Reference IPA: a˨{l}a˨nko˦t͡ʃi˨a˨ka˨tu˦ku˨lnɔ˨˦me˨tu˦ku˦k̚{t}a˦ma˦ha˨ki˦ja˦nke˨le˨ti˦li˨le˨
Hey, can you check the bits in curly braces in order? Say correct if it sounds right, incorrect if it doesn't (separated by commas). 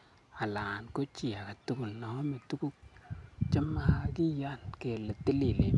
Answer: correct, incorrect